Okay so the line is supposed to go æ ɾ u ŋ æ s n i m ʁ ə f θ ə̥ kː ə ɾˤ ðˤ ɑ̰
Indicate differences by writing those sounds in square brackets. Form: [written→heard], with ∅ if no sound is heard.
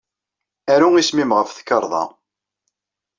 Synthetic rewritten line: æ ɾ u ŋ [æ→i] s [n→m] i m ʁ ə f θ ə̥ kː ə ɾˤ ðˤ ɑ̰